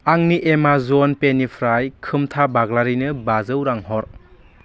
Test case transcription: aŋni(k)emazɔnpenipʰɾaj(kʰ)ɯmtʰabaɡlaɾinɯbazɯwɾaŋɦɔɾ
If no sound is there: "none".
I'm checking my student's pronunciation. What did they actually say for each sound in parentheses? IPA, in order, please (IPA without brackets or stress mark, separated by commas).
ʔ, kʰ